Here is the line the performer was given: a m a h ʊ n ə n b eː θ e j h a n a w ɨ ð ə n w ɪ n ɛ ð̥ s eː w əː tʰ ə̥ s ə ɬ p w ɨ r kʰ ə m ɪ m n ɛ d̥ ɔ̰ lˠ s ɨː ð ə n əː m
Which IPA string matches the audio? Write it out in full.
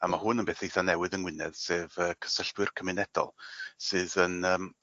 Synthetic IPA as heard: a m a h ʊ n ə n b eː θ e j θ a n ɛ w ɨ ð ə n w ɪ n ɛ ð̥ s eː v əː kʰ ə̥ s ə ɬ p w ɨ r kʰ ə m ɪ n ɛ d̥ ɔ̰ lˠ s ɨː ð ə n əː m